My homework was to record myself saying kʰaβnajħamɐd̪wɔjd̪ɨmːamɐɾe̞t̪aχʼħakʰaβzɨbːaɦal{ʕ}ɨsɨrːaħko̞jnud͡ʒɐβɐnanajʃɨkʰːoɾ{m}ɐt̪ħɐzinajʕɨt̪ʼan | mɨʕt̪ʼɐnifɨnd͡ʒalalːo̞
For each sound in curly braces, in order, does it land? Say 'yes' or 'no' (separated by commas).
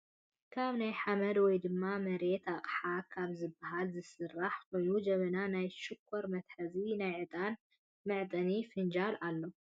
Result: no, yes